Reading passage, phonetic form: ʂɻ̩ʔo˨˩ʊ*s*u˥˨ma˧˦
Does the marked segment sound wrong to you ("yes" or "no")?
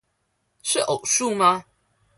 yes